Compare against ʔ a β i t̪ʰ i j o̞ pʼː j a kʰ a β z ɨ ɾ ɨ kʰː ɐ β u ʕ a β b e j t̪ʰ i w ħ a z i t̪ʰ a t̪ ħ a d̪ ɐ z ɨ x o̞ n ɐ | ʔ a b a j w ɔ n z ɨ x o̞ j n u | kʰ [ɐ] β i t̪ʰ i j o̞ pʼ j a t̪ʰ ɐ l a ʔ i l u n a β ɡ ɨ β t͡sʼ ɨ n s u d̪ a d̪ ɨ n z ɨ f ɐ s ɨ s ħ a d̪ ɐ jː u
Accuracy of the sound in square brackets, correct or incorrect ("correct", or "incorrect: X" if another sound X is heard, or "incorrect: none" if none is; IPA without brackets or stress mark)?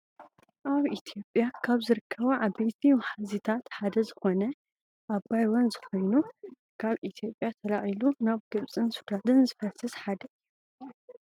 incorrect: a